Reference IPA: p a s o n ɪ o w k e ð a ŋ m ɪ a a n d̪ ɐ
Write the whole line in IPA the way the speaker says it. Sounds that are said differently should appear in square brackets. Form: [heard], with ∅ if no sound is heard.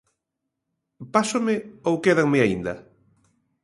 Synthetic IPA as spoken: p a s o [m] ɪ o w k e ð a ŋ m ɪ a [i] n d̪ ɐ